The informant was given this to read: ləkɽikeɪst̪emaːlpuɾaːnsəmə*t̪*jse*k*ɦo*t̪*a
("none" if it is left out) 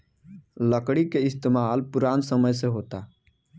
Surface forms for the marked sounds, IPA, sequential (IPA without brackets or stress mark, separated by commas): none, none, t̪